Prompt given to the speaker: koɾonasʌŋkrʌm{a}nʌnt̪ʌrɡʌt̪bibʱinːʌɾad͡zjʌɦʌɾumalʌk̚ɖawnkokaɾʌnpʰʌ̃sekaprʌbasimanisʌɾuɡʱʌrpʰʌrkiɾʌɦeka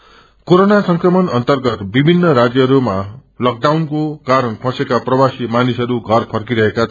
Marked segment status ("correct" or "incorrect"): incorrect